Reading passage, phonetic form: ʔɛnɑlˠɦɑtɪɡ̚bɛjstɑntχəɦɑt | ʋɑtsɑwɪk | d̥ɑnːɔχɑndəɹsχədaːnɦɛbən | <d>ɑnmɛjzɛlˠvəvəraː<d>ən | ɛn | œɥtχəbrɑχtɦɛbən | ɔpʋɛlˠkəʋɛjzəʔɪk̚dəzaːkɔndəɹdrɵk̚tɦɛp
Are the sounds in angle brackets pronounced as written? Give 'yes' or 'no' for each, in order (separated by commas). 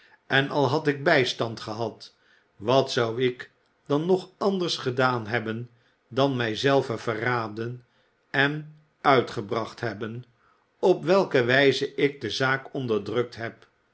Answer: yes, yes